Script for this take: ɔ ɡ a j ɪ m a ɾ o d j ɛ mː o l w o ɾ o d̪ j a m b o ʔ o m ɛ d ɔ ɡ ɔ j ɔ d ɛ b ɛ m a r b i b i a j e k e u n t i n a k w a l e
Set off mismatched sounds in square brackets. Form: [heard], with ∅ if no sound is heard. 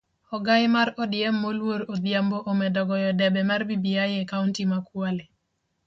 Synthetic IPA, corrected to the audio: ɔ ɡ a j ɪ m a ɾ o d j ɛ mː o l w o ɾ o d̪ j a m b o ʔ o m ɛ d ɔ ɡ ɔ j ɔ d ɛ b ɛ m a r b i b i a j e k [a] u n t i [m] a k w a l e